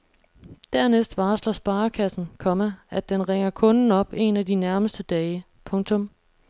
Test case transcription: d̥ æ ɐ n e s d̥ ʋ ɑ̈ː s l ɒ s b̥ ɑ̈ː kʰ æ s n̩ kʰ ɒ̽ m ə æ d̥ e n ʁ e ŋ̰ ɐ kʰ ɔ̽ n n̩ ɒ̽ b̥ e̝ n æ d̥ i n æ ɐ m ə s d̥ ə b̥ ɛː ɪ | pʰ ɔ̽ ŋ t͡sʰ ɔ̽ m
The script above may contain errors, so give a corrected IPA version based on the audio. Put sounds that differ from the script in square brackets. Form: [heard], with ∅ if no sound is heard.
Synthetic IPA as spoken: d̥ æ ɐ n e s d̥ ʋ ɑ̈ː s l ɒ s b̥ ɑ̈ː kʰ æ s n̩ kʰ ɒ̽ m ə æ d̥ e n ʁ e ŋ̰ ɐ kʰ ɔ̽ n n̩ ɒ̽ b̥ e̝ n æ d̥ i n æ ɐ m ə s d̥ ə [d̥] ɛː ɪ | pʰ ɔ̽ ŋ t͡sʰ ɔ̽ m